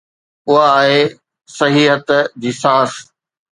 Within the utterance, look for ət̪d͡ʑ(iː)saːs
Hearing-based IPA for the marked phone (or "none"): iː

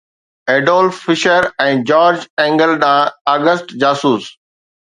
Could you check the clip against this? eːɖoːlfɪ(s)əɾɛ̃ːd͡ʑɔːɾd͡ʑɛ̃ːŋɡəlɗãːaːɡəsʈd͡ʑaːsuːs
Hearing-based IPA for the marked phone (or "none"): ʃ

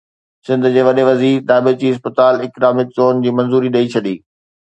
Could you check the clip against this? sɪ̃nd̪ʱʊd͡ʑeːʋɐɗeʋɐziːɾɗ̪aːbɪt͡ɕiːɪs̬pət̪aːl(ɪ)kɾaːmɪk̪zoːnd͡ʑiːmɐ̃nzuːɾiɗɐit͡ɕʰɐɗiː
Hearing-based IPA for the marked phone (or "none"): ɪ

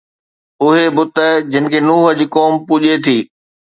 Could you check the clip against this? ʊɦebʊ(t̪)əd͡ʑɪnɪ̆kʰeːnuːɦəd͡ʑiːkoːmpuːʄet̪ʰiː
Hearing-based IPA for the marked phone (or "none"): t̪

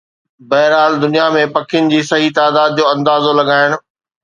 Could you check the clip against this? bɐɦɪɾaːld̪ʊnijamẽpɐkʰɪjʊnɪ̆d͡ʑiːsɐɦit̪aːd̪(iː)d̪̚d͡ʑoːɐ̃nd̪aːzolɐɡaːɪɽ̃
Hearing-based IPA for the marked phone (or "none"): aː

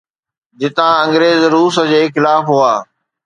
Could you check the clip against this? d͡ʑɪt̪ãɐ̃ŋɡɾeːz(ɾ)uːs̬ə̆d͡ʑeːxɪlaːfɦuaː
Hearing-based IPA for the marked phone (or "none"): ɾ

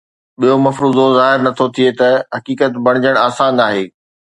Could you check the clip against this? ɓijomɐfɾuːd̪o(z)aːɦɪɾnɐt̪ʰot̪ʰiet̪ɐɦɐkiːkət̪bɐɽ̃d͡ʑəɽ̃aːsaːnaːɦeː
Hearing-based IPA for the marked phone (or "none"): z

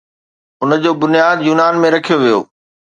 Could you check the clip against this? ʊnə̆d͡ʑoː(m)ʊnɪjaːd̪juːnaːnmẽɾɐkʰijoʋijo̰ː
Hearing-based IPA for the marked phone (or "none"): b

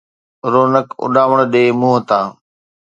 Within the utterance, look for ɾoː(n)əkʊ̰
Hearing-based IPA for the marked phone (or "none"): n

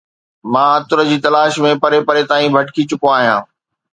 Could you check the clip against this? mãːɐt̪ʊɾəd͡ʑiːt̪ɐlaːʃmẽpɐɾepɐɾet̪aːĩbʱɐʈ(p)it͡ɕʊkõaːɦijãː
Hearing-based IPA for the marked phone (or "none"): k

